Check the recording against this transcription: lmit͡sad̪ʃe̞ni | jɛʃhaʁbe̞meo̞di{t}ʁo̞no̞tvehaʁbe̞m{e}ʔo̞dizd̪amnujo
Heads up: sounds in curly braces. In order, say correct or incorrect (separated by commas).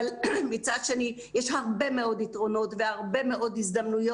correct, correct